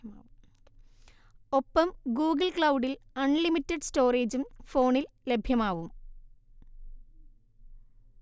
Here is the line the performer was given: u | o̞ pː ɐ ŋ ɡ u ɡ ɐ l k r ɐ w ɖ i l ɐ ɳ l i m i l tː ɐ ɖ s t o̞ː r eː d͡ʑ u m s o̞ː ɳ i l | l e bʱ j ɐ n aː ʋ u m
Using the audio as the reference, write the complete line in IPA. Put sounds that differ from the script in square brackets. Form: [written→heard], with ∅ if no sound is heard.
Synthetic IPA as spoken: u | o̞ pː ɐ [ŋ→m] ɡ [u→uː] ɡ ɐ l k [r→ɭ] ɐ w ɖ i l ɐ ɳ l i m i [l→∅] tː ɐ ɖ s t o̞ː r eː d͡ʑ u m [s→f] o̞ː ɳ i l | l e bʱ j ɐ [n→m] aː ʋ u m